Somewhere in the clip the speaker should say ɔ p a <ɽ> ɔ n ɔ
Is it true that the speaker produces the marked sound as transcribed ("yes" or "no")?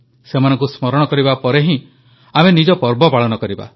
no